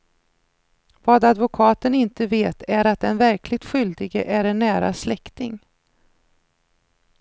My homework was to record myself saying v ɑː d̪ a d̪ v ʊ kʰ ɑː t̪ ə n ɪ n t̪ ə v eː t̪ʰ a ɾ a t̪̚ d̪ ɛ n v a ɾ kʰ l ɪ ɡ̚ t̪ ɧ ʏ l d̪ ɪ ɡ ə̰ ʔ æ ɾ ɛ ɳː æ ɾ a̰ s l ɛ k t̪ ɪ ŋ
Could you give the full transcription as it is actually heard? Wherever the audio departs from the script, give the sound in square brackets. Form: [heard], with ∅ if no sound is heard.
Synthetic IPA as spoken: v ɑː d̪ a d̪ v ʊ kʰ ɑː t̪ ə n ɪ n t̪ ə v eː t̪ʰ [æ] ɾ a t̪̚ d̪ ɛ n v [æ] ɾ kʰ l ɪ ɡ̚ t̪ ɧ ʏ l d̪ ɪ ɡ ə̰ ʔ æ ɾ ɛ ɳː [æː] ɾ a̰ s l ɛ k t̪ ɪ ŋ